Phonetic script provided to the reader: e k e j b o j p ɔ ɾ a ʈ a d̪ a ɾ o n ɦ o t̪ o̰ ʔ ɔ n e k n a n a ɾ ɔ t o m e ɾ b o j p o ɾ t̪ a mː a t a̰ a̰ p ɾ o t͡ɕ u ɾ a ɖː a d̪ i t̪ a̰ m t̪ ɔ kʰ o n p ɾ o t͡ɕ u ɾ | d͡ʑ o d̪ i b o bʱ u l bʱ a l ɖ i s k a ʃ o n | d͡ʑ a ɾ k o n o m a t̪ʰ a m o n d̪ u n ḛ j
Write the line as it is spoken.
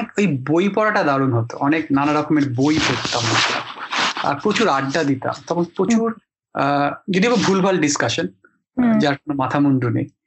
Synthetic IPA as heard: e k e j b o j p ɔ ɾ a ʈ a d̪ a ɾ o n ɦ o t̪ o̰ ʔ ɔ n e k n a n a ɾ ɔ k o m e ɾ b o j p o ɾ t̪ a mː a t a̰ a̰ p ɾ o t͡ɕ u ɾ a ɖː a d̪ i t̪ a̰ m t̪ ɔ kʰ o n p ɾ o t͡ɕ u ɾ | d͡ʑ o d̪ i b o bʱ u l bʱ a l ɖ i s k a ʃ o n | d͡ʑ a ɾ k o n o m a t̪ʰ a m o n d̪ u n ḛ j